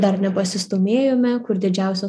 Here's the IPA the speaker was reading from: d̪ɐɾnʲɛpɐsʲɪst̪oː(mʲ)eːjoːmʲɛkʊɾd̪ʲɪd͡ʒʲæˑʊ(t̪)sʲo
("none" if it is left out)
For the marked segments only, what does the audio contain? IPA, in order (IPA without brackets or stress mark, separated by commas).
mʲ, none